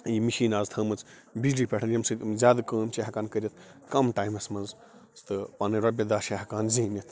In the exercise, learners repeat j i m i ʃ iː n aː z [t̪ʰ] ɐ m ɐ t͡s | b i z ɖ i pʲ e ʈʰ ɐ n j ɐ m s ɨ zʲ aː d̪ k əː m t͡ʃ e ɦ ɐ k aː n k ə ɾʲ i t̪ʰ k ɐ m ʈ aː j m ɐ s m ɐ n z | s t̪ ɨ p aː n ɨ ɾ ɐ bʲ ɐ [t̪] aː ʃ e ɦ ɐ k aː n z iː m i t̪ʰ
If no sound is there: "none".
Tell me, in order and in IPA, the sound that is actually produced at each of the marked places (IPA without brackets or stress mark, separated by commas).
t̪ʰ, d̪